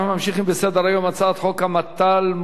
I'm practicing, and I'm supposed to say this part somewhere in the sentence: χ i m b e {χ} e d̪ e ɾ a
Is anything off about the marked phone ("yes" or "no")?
yes